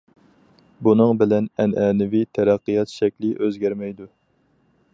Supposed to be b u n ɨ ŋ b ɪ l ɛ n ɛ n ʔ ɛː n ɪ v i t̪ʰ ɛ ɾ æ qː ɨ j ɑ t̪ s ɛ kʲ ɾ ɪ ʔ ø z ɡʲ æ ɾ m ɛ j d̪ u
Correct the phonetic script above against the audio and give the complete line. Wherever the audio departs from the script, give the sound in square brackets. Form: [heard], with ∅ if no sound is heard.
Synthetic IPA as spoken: b u n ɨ ŋ b ɪ l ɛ n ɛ n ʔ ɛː n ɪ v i t̪ʰ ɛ ɾ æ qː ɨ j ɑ t̪ [ʃ] ɛ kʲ [l] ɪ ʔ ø z ɡʲ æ ɾ m ɛ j d̪ u